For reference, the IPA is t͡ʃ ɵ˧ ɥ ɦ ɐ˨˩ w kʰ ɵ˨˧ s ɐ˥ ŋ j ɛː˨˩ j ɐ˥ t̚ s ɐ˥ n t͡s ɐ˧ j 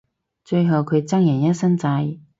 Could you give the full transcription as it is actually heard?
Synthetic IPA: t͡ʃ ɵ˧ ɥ ɦ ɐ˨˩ w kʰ ɵ˨˧ t͡s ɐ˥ ŋ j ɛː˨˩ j ɐ˥ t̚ s ɐ˥ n t͡s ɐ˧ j